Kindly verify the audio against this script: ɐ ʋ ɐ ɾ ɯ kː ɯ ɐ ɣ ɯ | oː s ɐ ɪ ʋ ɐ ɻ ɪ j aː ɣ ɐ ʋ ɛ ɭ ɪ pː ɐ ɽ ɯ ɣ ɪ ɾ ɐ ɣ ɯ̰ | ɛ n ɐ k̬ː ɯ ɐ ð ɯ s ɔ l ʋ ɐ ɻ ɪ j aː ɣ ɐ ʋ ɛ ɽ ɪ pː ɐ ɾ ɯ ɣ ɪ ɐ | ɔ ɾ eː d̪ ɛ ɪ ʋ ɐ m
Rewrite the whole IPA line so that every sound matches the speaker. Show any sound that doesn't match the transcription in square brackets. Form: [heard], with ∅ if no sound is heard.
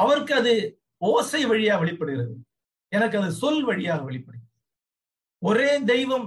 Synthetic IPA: ɐ ʋ ɐ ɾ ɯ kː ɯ ɐ [ð] ɯ | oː s ɐ ɪ ʋ ɐ ɻ ɪ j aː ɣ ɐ ʋ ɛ ɭ ɪ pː ɐ ɽ ɯ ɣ ɪ ɾ ɐ [ð] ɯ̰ | ɛ n ɐ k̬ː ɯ ɐ ð ɯ s ɔ l ʋ ɐ ɻ ɪ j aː ɣ ɐ ʋ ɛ [ɭ] ɪ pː ɐ [ɽ] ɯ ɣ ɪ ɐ | ɔ ɾ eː d̪ ɛ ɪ ʋ ɐ m